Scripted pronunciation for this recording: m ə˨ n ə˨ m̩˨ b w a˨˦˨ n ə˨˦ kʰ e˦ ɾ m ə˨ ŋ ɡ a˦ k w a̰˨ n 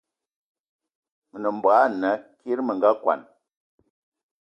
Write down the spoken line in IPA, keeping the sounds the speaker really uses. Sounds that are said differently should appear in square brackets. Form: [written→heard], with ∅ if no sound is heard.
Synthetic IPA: m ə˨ n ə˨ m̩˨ b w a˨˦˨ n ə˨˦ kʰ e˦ ɾ m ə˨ ŋ ɡ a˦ k w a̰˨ n